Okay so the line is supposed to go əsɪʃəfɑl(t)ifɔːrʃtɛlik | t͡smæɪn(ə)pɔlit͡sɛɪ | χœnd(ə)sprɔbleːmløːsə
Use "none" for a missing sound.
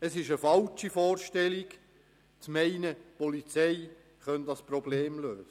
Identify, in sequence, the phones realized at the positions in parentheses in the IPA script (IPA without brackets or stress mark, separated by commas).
t͡ʃ, ə, ɑ